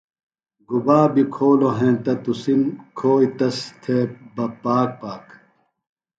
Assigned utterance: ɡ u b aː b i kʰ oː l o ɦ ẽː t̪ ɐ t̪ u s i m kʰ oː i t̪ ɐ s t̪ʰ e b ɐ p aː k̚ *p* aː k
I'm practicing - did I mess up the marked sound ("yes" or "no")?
no